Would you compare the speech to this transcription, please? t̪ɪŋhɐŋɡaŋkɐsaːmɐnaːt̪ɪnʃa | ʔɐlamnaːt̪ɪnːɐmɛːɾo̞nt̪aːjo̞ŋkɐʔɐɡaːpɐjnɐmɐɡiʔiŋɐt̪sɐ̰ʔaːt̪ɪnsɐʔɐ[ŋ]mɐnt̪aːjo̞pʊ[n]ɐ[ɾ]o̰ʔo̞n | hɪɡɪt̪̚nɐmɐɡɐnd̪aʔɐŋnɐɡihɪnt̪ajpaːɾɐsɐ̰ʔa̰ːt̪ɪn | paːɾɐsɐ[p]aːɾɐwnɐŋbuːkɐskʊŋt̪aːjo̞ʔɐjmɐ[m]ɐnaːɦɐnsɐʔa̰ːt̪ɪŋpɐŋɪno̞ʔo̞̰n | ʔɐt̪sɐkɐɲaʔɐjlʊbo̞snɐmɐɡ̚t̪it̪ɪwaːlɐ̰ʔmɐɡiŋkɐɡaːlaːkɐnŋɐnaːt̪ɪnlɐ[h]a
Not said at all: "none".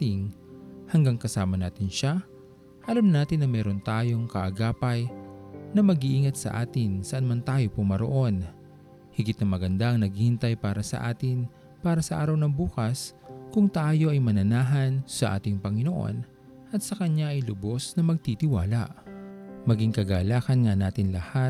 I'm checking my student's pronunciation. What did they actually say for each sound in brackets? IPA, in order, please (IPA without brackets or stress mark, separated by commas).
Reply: n, m, ɾ, ʔ, n, h